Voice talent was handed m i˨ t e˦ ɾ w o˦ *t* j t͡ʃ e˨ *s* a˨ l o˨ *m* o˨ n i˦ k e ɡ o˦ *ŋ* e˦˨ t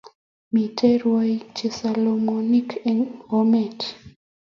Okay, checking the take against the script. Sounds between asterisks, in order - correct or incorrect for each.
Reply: incorrect: none, correct, correct, incorrect: m

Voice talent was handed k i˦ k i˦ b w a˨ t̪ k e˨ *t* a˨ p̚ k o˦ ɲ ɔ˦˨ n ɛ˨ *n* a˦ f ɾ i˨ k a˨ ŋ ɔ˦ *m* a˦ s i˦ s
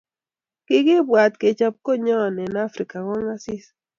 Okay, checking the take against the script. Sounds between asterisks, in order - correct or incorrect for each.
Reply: incorrect: t͡ʃ, correct, incorrect: ŋ

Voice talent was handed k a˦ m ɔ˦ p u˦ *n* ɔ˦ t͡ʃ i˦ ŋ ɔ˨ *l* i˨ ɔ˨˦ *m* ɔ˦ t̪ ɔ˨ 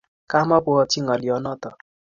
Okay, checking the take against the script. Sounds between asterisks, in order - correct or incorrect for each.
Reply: incorrect: none, correct, incorrect: n

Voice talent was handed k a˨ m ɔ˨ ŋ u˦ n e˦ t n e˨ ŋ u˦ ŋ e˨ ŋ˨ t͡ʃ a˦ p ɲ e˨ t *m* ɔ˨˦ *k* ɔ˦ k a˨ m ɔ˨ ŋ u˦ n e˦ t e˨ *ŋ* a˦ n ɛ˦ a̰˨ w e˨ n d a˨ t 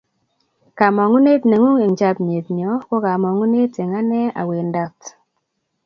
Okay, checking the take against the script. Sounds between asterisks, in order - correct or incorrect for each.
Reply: incorrect: ɲ, correct, correct

